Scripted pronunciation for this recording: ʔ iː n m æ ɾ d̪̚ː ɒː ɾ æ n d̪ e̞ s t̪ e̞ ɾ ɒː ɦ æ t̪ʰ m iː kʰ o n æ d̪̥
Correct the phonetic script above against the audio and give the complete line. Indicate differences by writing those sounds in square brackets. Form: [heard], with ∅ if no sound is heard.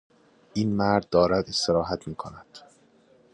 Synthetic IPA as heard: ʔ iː n m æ ɾ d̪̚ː ɒː ɾ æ [∅] d̪ e̞ s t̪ e̞ ɾ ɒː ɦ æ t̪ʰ m iː kʰ o n æ d̪̥